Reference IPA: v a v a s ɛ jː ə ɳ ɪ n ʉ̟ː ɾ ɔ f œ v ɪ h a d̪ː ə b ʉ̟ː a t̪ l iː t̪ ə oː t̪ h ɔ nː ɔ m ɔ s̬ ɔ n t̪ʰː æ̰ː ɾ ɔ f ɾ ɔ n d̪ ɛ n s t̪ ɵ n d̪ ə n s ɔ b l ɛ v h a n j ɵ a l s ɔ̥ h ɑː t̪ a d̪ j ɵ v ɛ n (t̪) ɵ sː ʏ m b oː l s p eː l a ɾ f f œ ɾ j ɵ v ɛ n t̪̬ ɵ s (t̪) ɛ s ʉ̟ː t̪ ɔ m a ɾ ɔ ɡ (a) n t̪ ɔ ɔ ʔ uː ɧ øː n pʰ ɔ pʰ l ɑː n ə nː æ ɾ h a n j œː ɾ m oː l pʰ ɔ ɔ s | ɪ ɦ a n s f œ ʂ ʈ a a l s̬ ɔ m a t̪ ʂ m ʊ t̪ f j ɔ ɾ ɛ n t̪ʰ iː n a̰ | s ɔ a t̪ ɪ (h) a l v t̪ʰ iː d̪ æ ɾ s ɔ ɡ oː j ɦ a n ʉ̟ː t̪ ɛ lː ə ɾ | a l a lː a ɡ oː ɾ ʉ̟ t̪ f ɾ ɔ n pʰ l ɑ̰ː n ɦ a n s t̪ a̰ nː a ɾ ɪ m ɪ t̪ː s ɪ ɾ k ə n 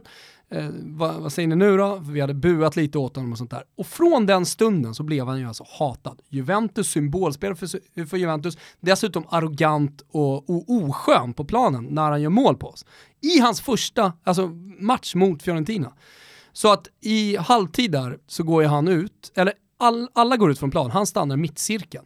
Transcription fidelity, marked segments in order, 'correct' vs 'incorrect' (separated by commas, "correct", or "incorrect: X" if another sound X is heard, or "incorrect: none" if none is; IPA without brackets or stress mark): correct, incorrect: d̪, correct, correct